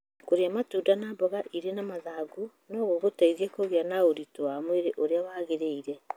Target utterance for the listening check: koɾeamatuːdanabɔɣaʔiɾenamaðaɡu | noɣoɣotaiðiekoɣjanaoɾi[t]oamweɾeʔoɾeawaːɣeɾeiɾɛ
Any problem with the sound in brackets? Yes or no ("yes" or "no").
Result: no